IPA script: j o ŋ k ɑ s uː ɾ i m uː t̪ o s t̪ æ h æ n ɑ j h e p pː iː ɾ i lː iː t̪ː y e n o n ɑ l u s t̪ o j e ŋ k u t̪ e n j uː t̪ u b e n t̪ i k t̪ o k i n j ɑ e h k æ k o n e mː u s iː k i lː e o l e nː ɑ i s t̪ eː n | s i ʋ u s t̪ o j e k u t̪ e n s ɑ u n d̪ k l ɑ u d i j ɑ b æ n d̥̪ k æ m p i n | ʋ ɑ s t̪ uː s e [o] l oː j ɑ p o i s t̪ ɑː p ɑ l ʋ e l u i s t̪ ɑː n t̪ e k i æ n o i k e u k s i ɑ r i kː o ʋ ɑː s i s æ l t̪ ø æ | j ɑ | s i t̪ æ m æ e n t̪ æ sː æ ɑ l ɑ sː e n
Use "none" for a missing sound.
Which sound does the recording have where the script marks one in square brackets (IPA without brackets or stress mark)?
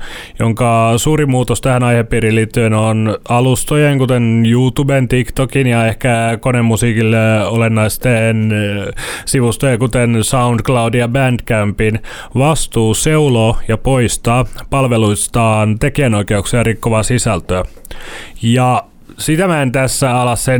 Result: u